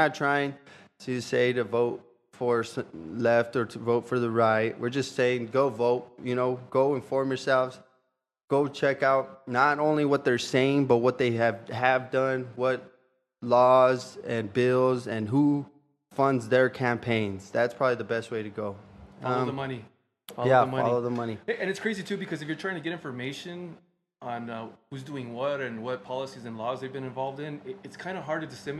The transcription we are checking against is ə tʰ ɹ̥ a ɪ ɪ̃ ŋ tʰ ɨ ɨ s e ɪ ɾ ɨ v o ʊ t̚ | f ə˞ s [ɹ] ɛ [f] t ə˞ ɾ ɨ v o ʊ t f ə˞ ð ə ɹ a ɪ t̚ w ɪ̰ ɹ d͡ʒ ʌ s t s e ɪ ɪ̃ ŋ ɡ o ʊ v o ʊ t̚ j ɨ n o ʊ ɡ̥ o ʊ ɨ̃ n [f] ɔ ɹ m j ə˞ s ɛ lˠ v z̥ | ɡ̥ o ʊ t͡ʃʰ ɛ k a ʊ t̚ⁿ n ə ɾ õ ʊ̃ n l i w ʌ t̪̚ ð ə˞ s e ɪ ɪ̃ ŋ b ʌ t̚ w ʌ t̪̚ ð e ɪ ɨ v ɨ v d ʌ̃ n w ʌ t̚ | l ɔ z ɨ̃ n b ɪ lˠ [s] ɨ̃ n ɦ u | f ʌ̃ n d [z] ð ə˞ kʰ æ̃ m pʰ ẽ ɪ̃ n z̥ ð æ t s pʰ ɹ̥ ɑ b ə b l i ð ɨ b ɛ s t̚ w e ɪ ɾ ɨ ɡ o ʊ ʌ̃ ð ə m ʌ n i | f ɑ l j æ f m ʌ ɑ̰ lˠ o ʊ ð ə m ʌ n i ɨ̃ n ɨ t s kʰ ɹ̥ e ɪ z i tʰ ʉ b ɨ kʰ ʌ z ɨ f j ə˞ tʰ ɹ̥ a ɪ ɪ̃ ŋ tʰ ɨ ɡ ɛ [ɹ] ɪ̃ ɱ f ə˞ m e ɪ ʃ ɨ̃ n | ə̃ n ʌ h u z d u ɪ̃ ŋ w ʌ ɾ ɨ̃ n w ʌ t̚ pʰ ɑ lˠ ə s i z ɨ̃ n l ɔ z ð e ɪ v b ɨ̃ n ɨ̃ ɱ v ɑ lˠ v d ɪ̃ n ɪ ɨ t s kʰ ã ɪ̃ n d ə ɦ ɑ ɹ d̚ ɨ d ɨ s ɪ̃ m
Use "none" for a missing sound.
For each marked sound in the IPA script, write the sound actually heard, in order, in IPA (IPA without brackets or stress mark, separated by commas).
l, f, f, z, z, ɾ